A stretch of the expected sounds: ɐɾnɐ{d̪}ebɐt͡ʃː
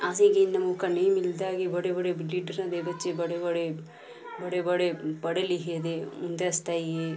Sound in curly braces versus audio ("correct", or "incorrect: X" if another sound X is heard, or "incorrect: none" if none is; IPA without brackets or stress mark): correct